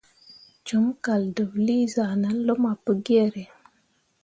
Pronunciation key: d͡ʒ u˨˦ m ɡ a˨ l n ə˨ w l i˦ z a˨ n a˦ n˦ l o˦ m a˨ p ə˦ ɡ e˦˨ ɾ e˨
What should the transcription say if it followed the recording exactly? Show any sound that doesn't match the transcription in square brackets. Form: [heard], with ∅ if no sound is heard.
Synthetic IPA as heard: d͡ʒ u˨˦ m [k] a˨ l [d] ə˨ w l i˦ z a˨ n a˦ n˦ l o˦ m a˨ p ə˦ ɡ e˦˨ ɾ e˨